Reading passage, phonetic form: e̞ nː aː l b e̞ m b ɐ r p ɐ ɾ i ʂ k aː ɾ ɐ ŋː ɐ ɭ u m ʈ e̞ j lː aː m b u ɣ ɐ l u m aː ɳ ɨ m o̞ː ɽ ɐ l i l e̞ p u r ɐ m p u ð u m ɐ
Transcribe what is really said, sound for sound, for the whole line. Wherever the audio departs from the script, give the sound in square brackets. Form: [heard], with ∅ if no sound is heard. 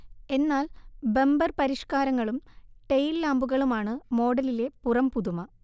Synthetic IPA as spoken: e̞ nː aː l b e̞ m b ɐ r p ɐ ɾ i ʂ k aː ɾ ɐ ŋː ɐ ɭ u m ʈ e̞ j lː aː m b u ɣ ɐ [ɭ] u m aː ɳ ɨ m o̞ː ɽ ɐ l i l e̞ p u r ɐ m p u ð u m ɐ